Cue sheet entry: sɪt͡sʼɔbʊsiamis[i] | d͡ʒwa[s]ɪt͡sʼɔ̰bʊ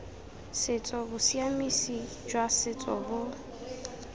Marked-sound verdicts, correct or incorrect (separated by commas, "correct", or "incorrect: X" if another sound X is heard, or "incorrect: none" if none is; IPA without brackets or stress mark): correct, correct